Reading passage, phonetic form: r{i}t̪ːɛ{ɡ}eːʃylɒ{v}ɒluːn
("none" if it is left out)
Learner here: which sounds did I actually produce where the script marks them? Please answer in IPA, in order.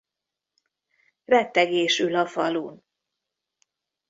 ɛ, ɡ, f

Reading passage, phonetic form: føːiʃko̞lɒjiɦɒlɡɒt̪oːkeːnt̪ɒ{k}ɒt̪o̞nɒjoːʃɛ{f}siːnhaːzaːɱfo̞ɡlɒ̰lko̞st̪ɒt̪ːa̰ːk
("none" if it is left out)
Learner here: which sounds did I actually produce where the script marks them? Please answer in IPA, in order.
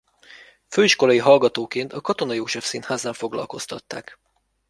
k, f

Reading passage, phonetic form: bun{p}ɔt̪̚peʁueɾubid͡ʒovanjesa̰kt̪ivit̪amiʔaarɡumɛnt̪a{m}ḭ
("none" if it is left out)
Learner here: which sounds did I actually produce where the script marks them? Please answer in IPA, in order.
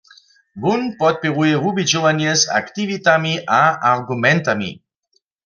p, m

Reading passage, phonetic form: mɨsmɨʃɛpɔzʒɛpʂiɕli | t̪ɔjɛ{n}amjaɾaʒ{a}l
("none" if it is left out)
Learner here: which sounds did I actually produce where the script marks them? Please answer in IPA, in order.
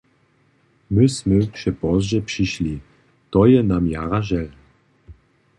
n, ɛ

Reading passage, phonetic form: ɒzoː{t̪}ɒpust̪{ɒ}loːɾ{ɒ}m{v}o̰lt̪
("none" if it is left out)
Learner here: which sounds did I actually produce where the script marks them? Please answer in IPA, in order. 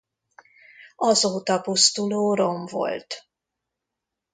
t̪, u, o, v

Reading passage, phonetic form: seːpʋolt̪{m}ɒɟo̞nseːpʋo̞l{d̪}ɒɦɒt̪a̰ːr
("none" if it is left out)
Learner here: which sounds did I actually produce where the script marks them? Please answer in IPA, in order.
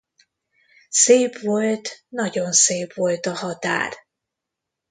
n, t̪

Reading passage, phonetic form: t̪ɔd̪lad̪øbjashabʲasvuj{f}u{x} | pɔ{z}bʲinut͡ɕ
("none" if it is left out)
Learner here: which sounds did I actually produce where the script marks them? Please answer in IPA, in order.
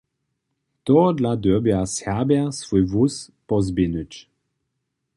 v, s, z

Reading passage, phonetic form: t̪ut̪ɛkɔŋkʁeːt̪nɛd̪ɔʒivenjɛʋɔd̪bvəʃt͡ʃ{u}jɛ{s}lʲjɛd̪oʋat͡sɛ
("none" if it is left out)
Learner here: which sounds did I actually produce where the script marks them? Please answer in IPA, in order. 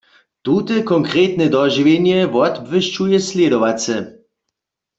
u, s

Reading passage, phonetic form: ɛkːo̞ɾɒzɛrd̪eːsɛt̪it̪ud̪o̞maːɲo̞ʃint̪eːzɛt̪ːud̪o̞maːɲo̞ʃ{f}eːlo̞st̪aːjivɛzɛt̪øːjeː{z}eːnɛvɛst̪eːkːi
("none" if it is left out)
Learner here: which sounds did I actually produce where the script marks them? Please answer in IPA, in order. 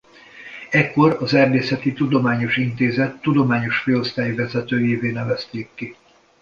f, v

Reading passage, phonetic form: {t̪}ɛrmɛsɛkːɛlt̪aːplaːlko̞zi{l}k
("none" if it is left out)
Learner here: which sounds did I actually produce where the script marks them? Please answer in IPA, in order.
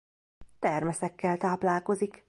t̪, none

